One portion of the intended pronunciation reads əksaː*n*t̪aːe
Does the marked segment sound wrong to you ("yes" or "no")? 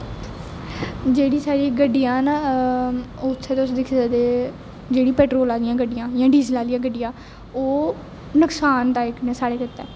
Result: no